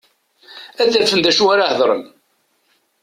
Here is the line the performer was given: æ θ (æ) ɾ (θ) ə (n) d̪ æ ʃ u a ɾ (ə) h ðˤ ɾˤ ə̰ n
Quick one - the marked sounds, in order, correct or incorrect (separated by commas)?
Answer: correct, incorrect, correct, incorrect